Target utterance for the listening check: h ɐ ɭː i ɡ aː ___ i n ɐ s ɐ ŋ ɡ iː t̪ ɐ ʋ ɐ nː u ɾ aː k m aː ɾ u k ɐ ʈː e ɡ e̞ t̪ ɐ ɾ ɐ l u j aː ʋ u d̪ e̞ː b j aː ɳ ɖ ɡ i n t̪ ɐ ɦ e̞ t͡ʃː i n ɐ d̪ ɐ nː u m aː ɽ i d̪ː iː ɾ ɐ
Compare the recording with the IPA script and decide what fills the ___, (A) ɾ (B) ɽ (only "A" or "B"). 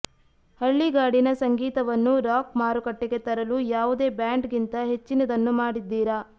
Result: B